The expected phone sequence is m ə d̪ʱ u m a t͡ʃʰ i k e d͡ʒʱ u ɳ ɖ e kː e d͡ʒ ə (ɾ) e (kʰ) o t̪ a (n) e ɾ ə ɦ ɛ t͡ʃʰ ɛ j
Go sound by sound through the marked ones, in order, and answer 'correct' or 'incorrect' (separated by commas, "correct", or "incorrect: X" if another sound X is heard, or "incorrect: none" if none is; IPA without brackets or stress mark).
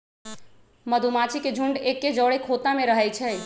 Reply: incorrect: ɽ, correct, incorrect: m